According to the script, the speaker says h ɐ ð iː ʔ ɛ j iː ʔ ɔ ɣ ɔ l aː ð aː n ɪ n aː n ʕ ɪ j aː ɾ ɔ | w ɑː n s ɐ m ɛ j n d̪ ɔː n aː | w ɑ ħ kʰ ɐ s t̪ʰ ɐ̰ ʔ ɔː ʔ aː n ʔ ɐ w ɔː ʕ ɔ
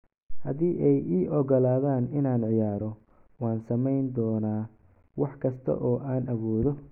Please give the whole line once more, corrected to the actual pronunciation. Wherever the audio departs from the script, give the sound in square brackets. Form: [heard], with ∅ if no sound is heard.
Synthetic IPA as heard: h ɐ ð iː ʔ ɛ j iː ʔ ɔ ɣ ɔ l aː ð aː n ɪ n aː n ʕ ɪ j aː ɾ ɔ | w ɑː n s ɐ m ɛ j n d̪ ɔː n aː | w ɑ ħ kʰ ɐ s t̪ʰ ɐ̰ ʔ ɔː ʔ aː n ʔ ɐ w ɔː [ð] ɔ